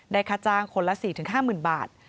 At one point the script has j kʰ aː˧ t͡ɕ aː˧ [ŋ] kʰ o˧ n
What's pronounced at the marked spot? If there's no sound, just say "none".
ŋ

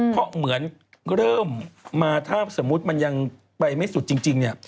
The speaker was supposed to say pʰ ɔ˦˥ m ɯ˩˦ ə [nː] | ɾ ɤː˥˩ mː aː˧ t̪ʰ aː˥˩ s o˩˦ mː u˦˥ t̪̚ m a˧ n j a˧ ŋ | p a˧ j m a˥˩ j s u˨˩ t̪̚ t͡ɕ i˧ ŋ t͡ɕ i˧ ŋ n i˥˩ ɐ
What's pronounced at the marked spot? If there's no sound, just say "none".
n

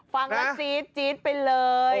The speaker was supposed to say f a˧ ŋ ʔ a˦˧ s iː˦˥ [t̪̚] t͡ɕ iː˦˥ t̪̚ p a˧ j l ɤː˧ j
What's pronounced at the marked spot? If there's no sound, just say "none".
t̪̚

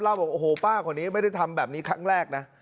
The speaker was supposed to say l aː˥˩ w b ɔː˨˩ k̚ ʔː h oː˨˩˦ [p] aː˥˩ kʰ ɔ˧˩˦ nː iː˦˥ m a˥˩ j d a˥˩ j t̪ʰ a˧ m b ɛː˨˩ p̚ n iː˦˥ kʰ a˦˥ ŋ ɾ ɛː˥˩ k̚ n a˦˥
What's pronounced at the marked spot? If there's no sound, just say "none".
p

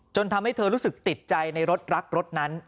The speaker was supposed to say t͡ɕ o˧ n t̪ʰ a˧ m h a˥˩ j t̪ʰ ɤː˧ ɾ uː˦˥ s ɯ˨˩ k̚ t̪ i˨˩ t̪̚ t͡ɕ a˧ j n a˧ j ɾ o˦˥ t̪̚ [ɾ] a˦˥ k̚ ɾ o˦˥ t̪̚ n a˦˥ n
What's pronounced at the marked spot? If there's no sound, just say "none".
ɾ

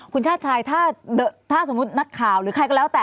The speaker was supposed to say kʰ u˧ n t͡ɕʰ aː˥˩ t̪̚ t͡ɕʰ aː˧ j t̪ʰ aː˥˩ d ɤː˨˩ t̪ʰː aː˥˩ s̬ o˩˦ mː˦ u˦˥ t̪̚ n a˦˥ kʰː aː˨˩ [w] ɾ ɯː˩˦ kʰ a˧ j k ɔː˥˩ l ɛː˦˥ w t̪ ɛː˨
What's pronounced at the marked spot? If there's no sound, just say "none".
w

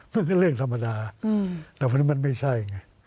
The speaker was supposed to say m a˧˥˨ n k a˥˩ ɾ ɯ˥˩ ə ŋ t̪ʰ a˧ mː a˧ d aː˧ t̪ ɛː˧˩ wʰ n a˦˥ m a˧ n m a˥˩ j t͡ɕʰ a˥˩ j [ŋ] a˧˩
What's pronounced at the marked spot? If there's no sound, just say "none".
ŋ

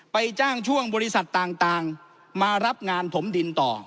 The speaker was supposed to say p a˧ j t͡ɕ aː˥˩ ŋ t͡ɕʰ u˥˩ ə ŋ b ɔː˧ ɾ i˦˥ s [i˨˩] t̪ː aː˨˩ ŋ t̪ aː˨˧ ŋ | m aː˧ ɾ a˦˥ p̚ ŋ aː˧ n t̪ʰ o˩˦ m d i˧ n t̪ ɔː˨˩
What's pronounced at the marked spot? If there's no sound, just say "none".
a˨˩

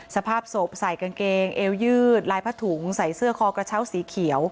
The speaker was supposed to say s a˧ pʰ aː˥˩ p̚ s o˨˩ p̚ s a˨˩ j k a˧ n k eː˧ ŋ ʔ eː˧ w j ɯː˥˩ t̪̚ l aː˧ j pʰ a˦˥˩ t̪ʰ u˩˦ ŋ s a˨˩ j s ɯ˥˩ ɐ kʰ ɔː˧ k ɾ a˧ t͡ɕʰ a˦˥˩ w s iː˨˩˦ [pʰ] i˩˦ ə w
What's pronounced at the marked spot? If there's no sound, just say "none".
kʰ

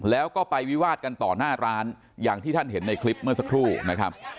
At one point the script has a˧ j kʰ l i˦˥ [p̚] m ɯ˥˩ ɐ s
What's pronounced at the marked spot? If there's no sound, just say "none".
p̚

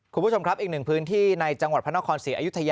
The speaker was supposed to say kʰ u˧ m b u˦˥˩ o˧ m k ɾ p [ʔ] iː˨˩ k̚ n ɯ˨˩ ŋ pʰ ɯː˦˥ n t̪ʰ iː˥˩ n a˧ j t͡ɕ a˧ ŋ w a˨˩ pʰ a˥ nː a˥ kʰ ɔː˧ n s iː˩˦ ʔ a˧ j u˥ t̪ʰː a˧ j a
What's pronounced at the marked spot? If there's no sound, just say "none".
ʔ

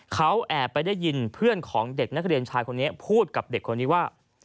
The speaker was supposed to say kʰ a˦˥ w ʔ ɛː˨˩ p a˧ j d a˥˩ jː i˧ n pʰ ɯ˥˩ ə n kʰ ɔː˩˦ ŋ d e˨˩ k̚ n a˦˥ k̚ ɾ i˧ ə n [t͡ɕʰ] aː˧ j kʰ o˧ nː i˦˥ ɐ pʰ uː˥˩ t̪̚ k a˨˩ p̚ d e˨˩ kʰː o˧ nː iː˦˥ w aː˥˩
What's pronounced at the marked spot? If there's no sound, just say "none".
t͡ɕʰ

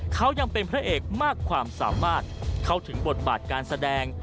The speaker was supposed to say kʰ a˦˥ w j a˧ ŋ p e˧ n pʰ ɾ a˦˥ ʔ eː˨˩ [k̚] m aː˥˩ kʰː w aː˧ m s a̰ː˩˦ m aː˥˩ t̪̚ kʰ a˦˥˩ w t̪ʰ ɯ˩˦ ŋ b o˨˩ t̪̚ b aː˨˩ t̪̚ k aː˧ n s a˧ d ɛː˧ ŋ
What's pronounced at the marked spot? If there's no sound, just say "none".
k̚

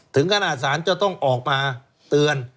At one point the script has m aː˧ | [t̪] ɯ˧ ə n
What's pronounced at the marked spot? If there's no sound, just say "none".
t̪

